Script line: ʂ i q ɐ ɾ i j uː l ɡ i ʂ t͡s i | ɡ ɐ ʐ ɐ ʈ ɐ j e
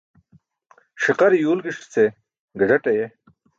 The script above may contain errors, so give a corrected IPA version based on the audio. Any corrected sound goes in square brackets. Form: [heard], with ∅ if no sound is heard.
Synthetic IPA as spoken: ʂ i q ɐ ɾ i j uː l ɡ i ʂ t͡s [e] | ɡ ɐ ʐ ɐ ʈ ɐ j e